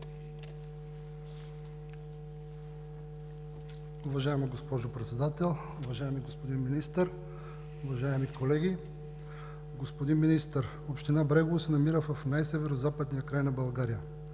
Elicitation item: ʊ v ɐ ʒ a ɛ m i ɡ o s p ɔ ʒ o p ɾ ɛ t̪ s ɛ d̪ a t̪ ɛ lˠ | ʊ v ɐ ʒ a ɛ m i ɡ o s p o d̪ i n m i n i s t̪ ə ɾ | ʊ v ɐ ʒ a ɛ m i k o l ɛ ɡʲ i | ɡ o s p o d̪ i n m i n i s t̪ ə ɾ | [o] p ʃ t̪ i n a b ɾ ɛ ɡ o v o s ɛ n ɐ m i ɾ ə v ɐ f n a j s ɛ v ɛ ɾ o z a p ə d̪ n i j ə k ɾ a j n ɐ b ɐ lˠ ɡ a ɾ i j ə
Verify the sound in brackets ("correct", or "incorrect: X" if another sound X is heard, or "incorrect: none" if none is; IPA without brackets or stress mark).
correct